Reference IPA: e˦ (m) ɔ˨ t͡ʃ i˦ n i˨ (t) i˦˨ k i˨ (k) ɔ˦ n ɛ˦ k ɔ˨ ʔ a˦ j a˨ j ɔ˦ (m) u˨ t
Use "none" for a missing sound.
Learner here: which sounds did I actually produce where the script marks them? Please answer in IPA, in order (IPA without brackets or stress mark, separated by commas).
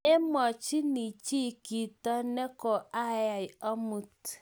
m, t͡ʃ, t, m